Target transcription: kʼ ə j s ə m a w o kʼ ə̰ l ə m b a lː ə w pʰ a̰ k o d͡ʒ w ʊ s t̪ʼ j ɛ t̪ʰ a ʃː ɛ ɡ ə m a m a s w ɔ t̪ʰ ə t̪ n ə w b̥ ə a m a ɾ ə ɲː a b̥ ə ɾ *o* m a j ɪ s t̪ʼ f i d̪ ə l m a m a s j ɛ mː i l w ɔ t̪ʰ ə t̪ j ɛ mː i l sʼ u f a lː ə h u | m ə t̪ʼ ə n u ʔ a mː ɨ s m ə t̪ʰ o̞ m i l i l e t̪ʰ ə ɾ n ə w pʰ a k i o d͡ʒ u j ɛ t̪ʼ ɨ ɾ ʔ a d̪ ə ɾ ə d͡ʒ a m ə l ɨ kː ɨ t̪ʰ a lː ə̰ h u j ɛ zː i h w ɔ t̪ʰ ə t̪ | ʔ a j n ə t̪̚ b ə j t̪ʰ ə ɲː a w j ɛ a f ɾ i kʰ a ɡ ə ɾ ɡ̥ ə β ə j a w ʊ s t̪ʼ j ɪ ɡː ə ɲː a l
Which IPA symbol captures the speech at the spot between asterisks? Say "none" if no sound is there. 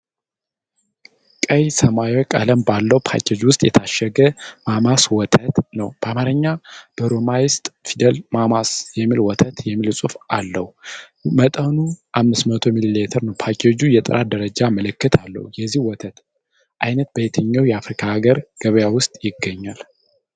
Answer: o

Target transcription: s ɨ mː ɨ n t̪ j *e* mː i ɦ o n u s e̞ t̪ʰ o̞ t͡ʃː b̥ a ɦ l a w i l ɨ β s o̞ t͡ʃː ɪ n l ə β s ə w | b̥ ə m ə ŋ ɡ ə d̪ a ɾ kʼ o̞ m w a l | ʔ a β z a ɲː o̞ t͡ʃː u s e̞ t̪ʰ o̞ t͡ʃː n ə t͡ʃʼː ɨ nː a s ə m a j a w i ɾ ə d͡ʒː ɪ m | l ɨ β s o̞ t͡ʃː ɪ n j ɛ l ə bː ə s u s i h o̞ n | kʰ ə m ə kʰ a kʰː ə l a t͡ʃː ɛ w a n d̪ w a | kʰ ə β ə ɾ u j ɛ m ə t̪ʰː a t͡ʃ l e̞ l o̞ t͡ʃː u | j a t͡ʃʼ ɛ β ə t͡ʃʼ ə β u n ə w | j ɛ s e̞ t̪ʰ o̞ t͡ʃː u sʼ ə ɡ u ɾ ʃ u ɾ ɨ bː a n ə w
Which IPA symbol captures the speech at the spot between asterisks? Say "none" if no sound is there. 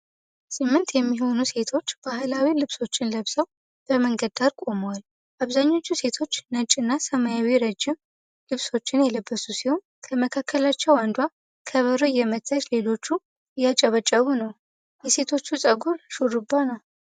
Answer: ɛ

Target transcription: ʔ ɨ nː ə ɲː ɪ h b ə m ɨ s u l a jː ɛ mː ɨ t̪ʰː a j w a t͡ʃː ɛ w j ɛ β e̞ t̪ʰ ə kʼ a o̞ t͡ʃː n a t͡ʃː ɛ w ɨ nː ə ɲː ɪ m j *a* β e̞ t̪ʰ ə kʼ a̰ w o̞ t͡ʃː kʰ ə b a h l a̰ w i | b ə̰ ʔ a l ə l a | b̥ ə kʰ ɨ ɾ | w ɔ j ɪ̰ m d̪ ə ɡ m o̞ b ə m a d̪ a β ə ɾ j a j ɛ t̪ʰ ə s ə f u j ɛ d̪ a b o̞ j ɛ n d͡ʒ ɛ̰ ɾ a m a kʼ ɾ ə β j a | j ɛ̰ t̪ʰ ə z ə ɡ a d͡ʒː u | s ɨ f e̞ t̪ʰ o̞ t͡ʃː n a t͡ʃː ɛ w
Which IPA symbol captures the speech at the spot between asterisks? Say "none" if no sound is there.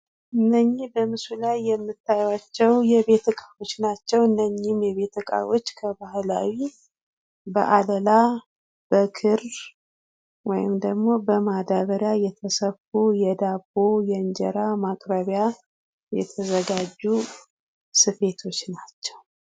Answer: ɛ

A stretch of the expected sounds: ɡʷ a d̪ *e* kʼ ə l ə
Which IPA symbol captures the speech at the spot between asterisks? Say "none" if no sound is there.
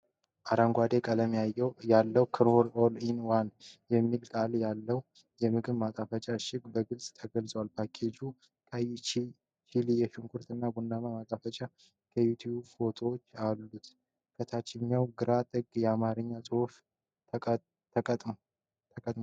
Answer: e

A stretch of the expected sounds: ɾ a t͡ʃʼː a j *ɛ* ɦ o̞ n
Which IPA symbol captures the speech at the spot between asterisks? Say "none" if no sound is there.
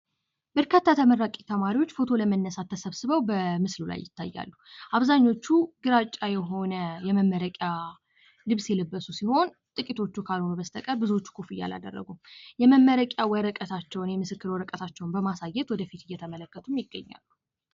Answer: ɛ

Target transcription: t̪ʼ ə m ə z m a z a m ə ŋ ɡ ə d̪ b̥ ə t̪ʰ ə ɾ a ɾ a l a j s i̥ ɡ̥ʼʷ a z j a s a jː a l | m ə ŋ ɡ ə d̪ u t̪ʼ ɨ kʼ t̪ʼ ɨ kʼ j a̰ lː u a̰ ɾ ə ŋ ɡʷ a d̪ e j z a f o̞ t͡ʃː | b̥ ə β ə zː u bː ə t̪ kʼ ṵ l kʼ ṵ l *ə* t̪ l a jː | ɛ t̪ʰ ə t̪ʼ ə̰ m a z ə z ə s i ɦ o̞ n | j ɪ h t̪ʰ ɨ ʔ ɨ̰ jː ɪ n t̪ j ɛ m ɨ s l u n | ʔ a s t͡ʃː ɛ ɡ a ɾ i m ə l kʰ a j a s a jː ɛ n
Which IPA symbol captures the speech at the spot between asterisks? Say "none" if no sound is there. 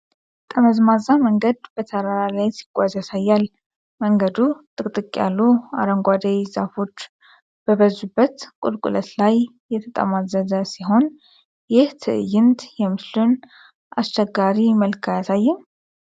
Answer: ə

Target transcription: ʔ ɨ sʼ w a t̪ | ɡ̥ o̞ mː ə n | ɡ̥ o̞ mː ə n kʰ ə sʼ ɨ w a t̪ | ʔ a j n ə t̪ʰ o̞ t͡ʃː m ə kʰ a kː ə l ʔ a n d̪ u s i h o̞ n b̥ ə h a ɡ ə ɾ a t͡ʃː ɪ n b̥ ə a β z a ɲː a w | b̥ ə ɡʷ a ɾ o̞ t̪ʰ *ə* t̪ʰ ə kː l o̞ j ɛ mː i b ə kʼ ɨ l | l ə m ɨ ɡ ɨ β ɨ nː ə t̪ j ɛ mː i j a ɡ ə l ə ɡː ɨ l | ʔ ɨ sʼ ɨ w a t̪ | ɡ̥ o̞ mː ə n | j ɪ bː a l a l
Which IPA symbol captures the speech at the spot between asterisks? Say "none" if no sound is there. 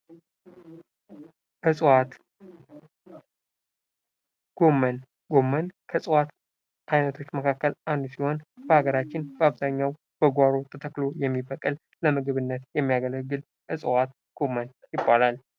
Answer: ə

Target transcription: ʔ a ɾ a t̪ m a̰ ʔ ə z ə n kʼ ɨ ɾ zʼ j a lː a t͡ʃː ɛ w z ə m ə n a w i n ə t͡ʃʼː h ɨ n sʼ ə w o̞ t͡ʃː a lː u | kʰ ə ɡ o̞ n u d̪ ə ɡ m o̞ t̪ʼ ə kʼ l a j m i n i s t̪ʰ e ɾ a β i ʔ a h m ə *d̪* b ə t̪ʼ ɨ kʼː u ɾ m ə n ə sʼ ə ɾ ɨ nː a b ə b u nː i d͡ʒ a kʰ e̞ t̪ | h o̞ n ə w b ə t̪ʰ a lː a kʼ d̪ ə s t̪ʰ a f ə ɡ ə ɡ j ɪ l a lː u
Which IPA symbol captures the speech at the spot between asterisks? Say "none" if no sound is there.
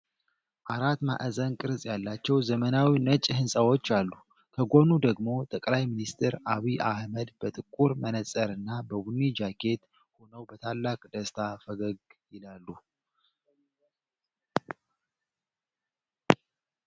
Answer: d̪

